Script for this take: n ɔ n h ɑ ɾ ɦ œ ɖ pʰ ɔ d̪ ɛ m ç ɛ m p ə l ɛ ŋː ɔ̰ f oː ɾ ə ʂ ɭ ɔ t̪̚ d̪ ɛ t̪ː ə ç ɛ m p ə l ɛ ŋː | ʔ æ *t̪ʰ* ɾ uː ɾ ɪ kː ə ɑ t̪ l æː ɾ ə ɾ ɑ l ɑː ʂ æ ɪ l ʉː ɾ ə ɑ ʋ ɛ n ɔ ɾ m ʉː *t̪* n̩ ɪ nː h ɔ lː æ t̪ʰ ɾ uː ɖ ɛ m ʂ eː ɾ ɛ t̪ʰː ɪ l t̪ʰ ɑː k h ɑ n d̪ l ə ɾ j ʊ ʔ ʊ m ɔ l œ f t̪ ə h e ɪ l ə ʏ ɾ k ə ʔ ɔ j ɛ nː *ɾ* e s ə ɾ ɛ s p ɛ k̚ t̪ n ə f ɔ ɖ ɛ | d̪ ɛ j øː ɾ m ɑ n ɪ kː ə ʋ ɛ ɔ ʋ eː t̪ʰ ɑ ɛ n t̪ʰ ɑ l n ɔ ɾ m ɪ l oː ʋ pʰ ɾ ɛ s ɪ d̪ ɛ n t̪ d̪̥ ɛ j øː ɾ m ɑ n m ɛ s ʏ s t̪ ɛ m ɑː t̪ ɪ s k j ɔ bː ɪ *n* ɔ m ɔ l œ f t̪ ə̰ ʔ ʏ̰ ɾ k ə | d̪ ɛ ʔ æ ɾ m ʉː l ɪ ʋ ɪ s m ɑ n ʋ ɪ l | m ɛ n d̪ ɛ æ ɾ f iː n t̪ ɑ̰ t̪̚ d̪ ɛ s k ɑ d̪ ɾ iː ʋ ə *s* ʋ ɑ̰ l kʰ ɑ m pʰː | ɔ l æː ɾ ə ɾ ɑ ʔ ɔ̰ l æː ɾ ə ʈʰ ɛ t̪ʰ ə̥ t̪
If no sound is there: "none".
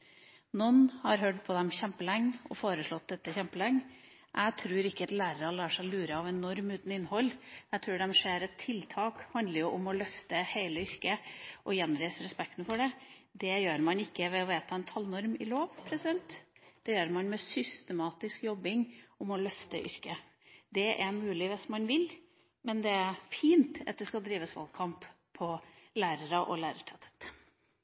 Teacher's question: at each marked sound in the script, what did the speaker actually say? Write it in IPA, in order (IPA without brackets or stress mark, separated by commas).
t̪ʰ, t̪, ɾ, ŋ, s